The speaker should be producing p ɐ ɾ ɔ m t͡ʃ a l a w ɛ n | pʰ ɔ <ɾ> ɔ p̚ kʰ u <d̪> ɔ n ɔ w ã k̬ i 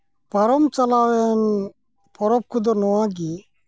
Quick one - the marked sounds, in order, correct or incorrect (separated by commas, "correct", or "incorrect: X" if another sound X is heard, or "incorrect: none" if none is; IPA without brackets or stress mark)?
correct, correct